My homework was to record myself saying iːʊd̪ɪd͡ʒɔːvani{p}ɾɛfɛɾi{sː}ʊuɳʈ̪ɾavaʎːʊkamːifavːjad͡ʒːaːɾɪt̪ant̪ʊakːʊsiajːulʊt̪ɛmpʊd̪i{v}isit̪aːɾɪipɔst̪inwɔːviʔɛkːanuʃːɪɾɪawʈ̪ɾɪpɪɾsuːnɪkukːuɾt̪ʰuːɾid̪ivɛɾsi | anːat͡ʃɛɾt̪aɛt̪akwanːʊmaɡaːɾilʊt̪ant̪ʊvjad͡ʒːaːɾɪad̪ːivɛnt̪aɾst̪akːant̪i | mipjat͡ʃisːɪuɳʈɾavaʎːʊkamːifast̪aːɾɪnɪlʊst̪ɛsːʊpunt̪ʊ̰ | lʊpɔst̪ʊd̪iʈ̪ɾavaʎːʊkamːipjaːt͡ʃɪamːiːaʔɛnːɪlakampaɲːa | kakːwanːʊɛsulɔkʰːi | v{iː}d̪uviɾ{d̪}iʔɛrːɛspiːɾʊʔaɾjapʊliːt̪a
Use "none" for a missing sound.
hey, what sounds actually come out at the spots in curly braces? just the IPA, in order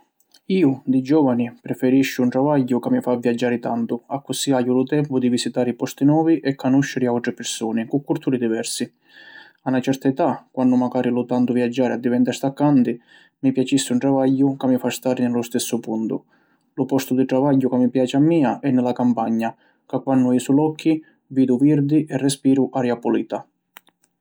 p, ʃː, v, iː, d̪

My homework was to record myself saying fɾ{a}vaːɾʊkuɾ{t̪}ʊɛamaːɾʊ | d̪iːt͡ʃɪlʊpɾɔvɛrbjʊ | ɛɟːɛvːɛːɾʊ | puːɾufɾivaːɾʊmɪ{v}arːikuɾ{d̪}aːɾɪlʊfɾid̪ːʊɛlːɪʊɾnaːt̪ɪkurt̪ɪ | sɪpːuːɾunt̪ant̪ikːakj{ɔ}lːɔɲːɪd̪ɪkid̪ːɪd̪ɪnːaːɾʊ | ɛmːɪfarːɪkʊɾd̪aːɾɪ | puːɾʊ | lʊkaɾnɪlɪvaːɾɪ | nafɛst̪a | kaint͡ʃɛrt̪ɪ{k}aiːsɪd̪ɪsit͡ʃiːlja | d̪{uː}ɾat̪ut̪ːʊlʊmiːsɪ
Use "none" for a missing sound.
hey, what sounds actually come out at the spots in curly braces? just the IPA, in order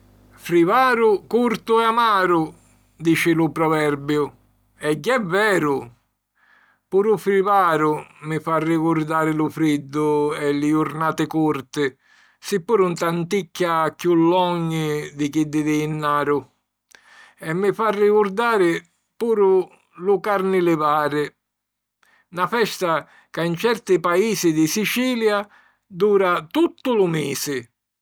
i, t̪, f, d̪, u, p, uː

